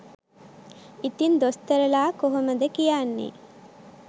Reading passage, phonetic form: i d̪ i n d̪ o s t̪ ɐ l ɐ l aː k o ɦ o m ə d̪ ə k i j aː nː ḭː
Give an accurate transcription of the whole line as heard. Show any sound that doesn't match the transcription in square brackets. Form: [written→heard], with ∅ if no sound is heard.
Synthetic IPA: i [d̪→t̪] i n d̪ o s t̪ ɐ [l→ɾ] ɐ l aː k o ɦ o m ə d̪ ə k i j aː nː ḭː